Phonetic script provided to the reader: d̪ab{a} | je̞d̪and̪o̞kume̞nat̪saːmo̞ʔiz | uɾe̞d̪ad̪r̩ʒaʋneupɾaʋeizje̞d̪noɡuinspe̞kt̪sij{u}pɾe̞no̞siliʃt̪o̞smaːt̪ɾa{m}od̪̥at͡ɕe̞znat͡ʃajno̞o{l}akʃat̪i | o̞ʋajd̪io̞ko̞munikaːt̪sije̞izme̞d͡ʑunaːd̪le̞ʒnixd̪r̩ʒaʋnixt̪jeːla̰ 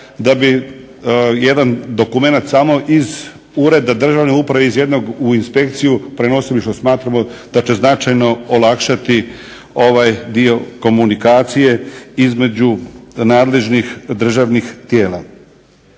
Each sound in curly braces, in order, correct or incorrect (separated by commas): incorrect, correct, correct, correct